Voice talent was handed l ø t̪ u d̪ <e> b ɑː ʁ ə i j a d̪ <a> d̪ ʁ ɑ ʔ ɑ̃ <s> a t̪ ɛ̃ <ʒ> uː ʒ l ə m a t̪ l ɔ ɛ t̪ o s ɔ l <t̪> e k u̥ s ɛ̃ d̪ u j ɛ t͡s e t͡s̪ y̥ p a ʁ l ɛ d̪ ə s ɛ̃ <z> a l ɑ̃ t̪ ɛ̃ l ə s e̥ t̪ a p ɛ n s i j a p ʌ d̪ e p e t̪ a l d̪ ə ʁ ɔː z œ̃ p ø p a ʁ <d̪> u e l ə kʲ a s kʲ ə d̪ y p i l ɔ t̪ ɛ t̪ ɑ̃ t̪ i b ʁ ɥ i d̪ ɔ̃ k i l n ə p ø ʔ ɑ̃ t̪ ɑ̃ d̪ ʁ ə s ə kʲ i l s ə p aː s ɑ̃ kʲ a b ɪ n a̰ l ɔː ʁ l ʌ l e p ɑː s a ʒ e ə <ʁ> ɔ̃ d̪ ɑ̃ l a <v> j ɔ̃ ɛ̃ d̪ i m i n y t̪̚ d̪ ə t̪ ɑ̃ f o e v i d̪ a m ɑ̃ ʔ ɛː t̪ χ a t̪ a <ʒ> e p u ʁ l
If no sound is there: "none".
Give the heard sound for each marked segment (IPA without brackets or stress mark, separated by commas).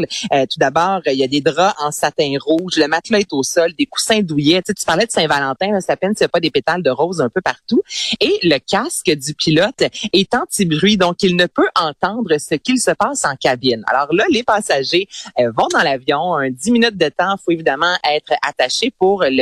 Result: a, e, s, ʁ, d̪, v, t̪, v, v, ʃ